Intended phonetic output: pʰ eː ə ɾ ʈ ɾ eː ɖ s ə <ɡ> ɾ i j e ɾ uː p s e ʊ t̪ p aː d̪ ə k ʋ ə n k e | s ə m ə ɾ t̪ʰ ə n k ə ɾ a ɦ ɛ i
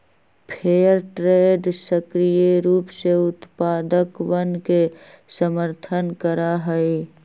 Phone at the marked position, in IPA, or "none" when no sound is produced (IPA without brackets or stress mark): k